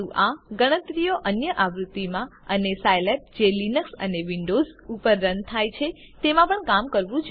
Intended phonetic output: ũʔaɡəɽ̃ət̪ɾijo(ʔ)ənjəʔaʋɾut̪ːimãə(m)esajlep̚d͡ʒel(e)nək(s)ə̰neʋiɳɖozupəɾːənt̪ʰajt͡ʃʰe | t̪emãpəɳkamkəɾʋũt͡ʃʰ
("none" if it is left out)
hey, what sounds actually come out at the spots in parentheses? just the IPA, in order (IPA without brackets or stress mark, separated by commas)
ʔ, n, i, s